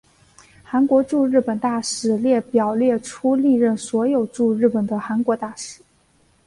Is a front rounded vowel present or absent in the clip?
absent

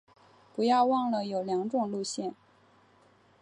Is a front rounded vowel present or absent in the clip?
absent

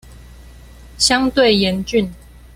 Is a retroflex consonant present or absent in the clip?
absent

